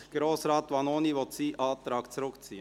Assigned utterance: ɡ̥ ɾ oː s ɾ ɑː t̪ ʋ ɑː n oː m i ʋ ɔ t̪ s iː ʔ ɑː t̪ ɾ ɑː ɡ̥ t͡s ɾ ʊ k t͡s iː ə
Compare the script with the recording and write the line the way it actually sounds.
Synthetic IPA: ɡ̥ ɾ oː s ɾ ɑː t̪ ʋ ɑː n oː n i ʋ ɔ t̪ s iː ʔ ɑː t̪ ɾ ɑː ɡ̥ t͡s ɾ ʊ k t͡s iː ə

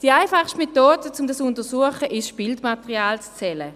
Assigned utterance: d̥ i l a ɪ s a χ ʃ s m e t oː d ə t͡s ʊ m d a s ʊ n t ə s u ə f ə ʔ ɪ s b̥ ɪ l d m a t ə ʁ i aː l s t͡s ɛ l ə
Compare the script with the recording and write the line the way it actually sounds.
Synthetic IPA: d̥ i a ɪ f a χ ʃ t m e t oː d ə t͡s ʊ m d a s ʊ n t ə s u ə χ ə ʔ ɪ ʃ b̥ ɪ l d m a t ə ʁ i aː l t͡s t͡s ɛ l ə

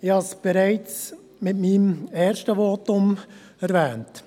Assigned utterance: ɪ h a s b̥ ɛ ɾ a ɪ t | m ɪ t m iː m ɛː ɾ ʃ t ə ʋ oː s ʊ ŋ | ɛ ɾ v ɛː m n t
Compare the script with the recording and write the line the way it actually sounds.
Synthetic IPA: ɪ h ɑ s b̥ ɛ ɾ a ɪ t͡s | m ɪ t m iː m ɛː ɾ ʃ t ə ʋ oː t ʊ m | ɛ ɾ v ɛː n t

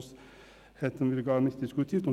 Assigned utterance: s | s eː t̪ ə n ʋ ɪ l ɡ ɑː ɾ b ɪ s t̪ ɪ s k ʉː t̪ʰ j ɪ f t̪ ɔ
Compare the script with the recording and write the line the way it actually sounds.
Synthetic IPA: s | h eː t̪ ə n ʋ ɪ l ɡ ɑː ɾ m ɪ s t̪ ɪ s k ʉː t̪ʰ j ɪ f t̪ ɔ

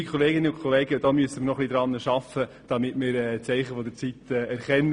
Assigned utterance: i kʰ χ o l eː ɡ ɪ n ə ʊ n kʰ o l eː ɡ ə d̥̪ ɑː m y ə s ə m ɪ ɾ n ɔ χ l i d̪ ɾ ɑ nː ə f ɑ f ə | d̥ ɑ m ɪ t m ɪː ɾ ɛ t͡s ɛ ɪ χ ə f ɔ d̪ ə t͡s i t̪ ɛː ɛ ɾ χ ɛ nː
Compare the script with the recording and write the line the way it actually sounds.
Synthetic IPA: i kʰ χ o l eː ɡ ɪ n ə ʊ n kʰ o l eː ɡ ə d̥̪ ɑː m y ə s ə m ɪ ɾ n ɔ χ l i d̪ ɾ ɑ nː ə ʃ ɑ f ə | d̥ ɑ m ɪ t m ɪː ɾ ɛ t͡s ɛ ɪ χ ə f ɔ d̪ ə t͡s i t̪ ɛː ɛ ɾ χ ɛ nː

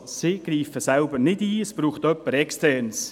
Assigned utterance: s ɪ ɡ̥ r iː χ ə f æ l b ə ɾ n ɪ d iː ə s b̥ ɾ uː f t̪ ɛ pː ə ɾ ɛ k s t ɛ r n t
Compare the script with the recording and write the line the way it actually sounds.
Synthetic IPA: s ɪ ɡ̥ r iː f ə s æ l b ə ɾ n ɪ d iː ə s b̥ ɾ uː χ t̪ œ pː ə ɾ ɛ k s t ɛ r n s

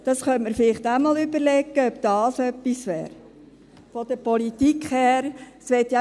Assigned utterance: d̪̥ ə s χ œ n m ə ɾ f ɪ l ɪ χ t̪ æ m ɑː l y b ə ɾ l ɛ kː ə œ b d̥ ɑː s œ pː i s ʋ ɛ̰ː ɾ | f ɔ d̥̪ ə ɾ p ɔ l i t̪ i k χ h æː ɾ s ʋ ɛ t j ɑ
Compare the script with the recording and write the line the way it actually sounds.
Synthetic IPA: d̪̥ ɑ s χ œ n m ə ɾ f ɪ l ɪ χ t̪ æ m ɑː l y b ə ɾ l ɛ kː ə œ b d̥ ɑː s œ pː i s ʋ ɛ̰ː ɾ | f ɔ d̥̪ ə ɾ p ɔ l i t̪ i k χ h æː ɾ s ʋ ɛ t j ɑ

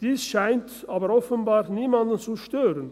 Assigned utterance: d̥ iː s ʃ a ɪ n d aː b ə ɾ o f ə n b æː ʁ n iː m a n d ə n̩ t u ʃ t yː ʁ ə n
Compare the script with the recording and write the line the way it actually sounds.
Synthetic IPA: d̥ iː s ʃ a ɪ n t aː b ə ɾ ɔ f ə n b aː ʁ n iː m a n d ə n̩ t͡s u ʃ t øː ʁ ə n

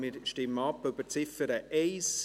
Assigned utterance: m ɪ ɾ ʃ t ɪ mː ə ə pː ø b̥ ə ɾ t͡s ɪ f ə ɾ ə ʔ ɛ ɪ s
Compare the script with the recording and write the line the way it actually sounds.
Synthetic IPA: m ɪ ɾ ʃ t ɪ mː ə ɑ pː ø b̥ ə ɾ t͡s ɪ f ə ɾ ə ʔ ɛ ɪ s

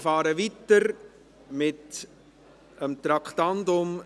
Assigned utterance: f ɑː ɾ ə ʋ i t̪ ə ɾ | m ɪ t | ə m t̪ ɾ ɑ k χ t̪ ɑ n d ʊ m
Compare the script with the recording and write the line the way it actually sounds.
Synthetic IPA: f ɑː ɾ ə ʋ i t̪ ə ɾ | m ɪ t | ə m t̪ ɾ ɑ k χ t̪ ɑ n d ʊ m

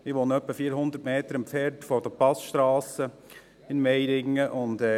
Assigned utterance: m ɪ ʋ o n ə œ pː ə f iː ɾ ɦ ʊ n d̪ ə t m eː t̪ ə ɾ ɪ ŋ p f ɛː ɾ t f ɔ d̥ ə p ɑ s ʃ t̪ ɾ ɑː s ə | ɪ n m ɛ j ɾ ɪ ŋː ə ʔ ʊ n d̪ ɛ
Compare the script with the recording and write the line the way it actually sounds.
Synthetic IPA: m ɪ ʋ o n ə œ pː ə f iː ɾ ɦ ʊ n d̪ ə t m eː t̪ ə ɾ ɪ m p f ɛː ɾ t f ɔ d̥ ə p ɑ s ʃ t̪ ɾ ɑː s ə | ɪ n m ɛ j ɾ ɪ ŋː ə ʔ ʊ n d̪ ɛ

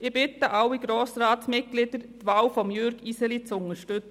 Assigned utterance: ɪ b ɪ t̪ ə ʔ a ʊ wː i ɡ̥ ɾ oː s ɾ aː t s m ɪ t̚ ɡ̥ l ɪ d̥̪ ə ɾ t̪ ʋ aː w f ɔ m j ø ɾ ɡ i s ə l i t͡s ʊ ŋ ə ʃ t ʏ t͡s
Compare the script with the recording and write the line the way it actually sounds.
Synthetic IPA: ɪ b ɪ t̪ ə ʔ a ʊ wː i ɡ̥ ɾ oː s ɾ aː t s m ɪ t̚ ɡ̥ l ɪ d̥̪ ə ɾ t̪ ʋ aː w f ɔ m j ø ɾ ɡ i s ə l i t͡s ʊ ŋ ə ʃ t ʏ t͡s

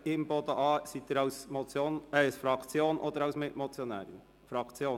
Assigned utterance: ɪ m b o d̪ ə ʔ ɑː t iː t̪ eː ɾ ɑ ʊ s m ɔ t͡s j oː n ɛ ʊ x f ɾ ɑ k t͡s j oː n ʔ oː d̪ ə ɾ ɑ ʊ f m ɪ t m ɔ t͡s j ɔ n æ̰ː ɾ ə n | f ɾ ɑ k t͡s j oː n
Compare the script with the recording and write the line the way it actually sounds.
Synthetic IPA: ɪ m b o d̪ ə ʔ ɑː s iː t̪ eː ɾ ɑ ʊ s m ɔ t͡s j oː n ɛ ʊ s f ɾ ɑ k t͡s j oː n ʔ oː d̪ ə ɾ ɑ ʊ s m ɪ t m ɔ t͡s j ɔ n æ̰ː ɾ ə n | f ɾ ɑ k t͡s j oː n

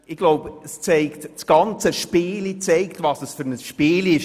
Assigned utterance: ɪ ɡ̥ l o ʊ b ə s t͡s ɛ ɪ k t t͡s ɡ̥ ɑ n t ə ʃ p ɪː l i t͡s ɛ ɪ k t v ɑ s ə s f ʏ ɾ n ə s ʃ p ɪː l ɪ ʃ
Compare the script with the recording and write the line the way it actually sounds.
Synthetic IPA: ɪ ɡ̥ l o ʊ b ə s t͡s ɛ ɪ k t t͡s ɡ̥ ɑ n t͡s ə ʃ p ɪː l i t͡s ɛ ɪ k t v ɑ s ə s f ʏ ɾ n ə s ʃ p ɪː l ɪ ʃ

